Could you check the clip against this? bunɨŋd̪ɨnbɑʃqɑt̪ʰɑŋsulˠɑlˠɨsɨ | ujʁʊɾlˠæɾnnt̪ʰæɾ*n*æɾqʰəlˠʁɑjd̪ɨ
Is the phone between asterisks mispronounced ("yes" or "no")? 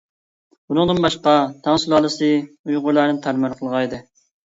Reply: yes